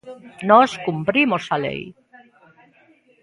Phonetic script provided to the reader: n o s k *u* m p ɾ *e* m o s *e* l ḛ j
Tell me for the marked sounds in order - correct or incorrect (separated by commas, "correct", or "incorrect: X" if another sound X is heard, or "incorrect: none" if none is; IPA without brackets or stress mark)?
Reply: correct, incorrect: i, incorrect: a